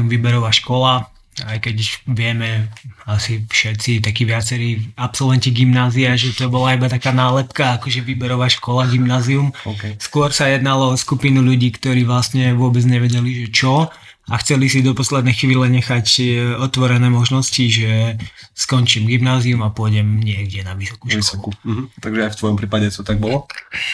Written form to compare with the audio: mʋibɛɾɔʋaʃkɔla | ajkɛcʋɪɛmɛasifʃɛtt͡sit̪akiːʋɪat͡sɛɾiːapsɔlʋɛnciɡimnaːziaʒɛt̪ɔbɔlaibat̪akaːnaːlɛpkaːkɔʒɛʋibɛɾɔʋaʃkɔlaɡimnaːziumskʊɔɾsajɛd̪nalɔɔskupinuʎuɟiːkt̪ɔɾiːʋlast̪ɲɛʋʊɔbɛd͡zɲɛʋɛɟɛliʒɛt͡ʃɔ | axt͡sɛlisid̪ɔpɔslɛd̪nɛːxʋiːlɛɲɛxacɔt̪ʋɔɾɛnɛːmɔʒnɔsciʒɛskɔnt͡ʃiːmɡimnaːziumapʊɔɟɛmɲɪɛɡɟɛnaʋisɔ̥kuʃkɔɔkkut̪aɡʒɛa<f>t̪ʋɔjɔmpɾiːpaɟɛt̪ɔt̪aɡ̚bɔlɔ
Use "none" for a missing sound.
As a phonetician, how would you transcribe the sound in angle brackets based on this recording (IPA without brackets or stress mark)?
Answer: f